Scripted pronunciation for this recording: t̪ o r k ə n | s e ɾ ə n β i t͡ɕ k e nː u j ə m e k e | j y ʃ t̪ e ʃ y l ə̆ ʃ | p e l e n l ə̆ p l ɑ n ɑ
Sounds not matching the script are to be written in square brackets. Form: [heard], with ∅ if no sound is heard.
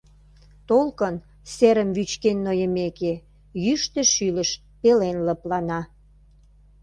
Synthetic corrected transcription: t̪ o [l] k ə n | s e ɾ ə [m] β [y] t͡ɕ k e nː [o] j ə m e k e | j y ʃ t̪ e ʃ y l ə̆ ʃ | p e l e n l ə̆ p l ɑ n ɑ